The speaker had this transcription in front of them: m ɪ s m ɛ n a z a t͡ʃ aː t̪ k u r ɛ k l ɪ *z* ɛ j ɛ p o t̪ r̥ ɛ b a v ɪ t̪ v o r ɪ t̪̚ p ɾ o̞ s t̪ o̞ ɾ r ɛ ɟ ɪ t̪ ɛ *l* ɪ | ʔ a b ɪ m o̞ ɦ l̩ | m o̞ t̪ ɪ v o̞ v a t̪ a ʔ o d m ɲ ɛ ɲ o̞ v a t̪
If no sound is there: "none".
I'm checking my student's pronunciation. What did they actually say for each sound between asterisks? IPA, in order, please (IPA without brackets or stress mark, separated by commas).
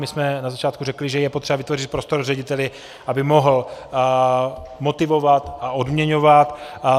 ʒ, l